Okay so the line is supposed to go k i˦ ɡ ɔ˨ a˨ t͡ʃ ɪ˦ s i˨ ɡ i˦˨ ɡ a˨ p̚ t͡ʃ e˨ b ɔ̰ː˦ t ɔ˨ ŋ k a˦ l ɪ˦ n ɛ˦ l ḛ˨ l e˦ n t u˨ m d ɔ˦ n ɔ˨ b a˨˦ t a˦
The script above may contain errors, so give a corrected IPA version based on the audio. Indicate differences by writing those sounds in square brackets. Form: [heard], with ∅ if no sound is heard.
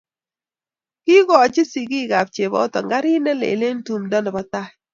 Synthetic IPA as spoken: k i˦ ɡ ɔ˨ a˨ t͡ʃ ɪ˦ s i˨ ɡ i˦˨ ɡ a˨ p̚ t͡ʃ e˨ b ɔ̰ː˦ t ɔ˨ ŋ [ɡ] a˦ [ɾ] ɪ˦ n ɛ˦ l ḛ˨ l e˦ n t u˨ m d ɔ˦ n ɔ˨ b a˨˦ t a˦